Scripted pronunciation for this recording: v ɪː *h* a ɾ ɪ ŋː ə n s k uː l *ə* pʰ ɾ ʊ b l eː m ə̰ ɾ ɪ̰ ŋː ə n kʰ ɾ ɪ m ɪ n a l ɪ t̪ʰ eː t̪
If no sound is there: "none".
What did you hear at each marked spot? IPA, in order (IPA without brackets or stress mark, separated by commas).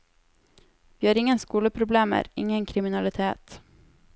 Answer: h, ə